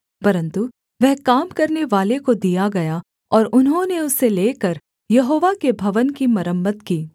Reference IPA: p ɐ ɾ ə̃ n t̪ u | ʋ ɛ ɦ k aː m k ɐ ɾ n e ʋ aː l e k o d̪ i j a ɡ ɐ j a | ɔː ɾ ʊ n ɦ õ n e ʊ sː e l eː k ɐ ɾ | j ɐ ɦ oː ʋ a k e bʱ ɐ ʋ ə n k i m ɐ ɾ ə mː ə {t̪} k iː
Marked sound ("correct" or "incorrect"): correct